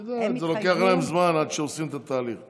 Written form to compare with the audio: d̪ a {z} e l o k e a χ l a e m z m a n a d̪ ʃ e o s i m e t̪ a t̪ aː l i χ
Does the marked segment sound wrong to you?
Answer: no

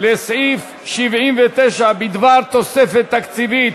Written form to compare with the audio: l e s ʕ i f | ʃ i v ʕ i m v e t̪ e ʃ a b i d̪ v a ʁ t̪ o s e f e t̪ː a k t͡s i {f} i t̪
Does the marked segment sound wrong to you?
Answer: yes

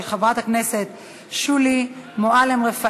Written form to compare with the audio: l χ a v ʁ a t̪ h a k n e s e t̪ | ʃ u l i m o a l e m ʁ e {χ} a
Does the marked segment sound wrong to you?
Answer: yes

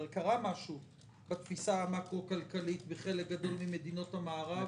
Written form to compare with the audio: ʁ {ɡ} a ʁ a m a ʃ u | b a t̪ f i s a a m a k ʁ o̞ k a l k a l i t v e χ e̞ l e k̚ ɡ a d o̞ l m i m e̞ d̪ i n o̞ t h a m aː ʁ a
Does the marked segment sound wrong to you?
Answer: yes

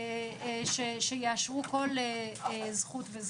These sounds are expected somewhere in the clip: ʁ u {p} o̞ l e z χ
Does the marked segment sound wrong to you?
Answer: yes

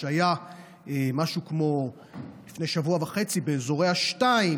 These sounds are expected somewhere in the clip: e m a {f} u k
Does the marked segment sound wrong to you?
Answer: yes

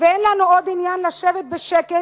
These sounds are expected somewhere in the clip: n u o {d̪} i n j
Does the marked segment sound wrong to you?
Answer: no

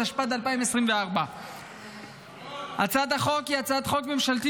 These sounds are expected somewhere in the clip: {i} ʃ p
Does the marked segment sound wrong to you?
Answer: yes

